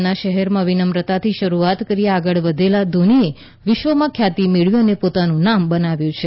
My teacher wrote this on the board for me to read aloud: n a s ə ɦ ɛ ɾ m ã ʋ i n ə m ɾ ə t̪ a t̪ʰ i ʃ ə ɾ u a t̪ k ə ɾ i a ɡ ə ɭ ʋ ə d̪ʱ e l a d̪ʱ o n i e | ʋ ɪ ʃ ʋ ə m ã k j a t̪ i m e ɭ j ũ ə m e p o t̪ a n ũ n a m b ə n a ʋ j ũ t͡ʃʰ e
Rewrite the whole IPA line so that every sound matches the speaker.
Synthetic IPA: n a ʃ ə ɦ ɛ ɾ m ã ʋ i n ə m ɾ ə t̪ a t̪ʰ i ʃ ə ɾ u a t̪ k ə ɾ i a ɡ ə ɭ ʋ ə d̪ʱ e l a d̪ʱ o n i e | ʋ ɪ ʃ ʋ ə m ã kʰ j a t̪ i m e ɭ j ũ ə n e p o t̪ a n ũ n a m b ə n a ʋ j ũ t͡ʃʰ e